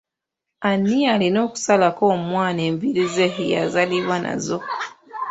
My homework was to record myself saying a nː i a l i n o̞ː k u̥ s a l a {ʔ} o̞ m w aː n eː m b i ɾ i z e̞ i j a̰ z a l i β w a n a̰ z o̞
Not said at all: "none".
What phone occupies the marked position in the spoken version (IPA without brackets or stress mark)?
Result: k